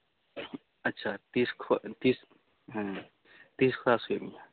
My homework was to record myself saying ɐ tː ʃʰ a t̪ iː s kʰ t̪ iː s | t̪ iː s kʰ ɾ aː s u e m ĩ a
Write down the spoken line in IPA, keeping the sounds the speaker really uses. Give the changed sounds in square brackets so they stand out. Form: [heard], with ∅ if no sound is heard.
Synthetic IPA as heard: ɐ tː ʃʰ a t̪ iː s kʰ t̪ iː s | t̪ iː s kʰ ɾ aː s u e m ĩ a